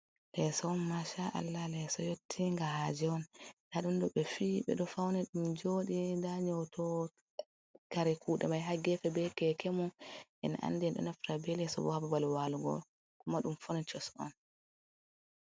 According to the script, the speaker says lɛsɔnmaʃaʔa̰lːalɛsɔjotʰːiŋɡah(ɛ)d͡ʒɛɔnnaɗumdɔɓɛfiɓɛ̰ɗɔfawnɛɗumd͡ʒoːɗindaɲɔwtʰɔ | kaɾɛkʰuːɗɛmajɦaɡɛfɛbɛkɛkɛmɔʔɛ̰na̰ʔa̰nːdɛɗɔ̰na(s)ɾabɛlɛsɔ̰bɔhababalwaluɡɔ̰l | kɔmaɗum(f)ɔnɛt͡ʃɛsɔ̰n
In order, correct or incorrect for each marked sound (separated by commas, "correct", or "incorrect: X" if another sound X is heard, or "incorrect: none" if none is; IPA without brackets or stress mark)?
incorrect: a, incorrect: f, correct